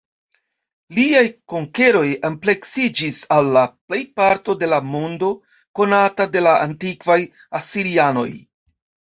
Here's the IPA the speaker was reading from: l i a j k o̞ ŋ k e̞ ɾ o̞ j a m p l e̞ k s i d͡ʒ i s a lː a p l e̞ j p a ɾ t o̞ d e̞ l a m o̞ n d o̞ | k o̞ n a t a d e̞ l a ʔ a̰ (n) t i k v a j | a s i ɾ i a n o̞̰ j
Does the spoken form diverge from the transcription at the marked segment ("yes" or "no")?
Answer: no